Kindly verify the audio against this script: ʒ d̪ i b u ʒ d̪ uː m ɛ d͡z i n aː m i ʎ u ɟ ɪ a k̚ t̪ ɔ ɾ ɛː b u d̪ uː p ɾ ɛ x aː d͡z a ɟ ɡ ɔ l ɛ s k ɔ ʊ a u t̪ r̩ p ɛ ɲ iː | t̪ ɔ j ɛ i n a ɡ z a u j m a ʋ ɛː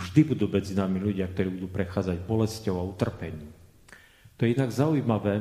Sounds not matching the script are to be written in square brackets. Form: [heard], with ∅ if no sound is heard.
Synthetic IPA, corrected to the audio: ʒ d̪ i b u [∅] d̪ uː m ɛ d͡z i n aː m i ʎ u ɟ ɪ a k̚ t̪ ɔ ɾ [iː] b u d̪ uː p ɾ ɛ x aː d͡z a ɟ [b] ɔ l ɛ s [c] ɔ ʊ a u t̪ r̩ p ɛ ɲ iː | t̪ ɔ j ɛ i n a ɡ z a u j m a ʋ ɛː